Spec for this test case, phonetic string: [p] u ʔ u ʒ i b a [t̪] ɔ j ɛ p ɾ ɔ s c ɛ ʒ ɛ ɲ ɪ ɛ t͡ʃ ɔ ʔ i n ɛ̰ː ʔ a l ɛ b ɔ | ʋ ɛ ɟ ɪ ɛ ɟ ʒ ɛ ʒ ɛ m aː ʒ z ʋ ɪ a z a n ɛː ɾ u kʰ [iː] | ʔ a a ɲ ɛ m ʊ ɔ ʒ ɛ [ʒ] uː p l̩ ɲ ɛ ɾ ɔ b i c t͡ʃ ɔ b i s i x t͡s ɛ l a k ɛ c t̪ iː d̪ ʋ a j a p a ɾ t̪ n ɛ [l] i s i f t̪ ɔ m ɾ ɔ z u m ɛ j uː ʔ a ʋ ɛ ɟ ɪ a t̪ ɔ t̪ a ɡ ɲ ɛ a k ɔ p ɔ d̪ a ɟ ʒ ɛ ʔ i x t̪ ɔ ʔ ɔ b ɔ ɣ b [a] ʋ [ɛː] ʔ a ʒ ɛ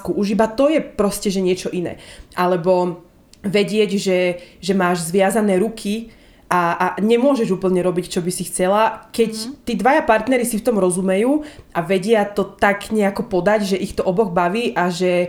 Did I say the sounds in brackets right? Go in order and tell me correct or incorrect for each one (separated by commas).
incorrect, correct, incorrect, correct, incorrect, correct, incorrect